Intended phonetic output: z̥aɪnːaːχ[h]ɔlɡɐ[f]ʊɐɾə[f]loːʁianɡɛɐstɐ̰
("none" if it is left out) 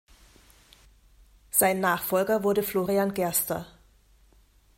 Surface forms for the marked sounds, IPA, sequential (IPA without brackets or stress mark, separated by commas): f, v, f